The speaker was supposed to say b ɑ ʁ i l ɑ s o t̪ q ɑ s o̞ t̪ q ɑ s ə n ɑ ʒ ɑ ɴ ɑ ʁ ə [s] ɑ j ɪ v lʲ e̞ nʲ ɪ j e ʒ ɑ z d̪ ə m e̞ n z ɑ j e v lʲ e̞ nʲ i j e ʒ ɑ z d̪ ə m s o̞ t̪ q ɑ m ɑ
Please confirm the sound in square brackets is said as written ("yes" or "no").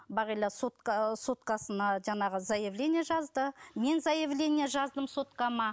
no